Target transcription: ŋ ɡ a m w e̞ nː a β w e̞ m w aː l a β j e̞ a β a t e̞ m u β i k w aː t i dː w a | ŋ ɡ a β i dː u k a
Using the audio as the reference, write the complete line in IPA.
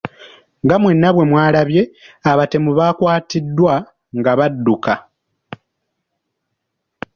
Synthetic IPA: ŋ ɡ a m w e̞ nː a β w e̞ m w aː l a β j e̞ a β a t e̞ m u β a k w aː t i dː w a | ŋ ɡ a β a dː u k a